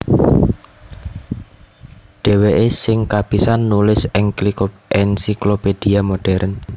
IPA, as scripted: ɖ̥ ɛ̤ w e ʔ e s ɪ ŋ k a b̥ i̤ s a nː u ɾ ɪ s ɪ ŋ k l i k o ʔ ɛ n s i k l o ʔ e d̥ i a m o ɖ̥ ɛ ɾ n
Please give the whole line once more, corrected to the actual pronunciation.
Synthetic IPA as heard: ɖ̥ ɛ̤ w e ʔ e s ɪ ŋ k a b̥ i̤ s a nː u l ɪ s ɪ ŋ k l i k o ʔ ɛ n s i k l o p e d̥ i a m o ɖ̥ ɛ ɾ n